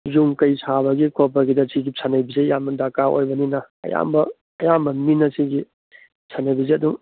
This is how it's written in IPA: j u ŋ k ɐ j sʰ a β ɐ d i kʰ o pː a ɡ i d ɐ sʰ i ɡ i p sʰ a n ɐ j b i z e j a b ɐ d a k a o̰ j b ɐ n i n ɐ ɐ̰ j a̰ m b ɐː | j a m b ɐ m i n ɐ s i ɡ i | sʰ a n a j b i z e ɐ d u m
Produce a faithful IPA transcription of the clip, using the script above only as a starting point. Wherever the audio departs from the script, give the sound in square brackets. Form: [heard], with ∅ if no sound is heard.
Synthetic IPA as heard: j u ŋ k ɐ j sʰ a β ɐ [ɡ] i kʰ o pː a ɡ i d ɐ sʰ i ɡ i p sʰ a n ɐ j b i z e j a [m] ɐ d a k a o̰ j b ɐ n i n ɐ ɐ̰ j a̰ m b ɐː | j a m b ɐ m i n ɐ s i ɡ i | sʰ a n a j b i z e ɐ d u [ŋ]